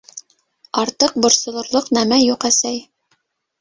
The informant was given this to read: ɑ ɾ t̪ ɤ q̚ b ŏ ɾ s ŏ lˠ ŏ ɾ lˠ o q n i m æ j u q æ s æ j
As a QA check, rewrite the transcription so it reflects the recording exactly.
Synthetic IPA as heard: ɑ ɾ t̪ ɤ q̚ b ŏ ɾ s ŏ lˠ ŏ ɾ lˠ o q n æ m æ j u q æ s æ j